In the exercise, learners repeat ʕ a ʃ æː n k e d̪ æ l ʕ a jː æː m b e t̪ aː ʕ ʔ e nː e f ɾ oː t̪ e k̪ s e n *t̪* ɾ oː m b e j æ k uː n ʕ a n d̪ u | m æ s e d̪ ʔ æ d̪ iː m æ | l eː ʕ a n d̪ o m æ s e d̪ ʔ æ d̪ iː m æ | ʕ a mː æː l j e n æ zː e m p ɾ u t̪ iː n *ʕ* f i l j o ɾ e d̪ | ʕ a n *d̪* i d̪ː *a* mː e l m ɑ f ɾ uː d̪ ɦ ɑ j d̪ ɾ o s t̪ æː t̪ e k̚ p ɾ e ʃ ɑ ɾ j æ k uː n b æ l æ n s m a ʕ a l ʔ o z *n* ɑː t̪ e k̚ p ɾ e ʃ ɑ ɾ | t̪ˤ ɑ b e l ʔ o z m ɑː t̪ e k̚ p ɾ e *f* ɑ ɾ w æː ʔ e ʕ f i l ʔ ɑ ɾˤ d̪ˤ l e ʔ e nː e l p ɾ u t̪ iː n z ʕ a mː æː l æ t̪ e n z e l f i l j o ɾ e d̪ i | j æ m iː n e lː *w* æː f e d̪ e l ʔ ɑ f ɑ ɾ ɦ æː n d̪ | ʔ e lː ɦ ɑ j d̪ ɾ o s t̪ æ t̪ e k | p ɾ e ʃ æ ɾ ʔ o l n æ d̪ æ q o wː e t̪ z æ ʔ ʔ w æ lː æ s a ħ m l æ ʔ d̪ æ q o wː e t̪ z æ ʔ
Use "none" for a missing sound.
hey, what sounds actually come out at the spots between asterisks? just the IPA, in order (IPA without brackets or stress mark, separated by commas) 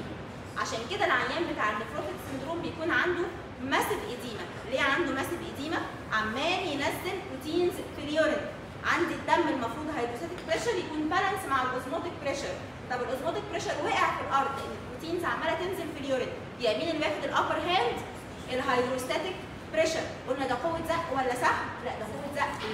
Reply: d̪, z, d̪, æ, m, ʃ, w